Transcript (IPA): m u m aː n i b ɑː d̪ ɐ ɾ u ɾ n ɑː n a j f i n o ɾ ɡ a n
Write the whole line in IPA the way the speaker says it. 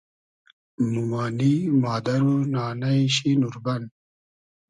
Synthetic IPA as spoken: m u m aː n i m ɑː d̪ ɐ ɾ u n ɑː n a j ɕ i n u ɾ b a n